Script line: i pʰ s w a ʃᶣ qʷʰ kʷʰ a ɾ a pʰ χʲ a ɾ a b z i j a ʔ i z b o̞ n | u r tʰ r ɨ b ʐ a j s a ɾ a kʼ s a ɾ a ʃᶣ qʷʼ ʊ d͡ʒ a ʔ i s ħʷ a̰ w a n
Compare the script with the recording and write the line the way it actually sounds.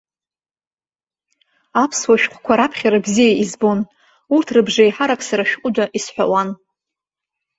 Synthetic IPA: a pʰ s w a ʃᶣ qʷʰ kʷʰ a ɾ a pʰ χʲ a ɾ a b z i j a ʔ i z b o̞ n | u r tʰ r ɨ b ʐ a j ħ a ɾ a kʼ s a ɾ a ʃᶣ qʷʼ ʊ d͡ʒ a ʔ i s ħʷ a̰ w a n